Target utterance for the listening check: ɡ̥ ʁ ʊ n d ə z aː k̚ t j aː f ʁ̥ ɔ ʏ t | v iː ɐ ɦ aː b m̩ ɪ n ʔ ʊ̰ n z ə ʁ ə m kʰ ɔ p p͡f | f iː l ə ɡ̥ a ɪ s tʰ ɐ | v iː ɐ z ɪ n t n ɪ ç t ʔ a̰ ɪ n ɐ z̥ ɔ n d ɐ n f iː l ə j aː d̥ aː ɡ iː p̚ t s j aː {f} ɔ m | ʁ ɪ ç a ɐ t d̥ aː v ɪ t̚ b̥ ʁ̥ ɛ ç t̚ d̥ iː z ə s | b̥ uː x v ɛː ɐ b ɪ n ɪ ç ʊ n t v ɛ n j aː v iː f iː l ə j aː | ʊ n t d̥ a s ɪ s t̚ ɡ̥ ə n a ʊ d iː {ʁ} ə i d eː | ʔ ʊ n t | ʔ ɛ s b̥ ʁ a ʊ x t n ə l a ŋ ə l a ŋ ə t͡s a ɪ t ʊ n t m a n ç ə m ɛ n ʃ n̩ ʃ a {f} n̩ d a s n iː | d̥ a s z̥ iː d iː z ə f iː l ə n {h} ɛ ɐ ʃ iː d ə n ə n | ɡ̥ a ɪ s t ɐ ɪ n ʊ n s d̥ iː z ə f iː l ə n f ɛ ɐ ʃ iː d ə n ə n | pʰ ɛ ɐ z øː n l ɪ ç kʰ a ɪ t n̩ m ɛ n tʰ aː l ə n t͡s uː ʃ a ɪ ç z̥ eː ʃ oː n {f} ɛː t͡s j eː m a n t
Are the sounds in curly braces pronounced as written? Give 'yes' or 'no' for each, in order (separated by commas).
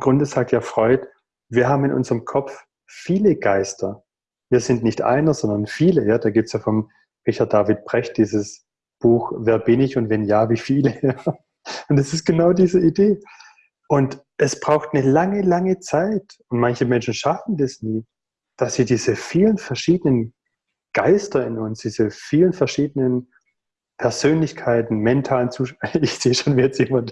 yes, no, yes, no, no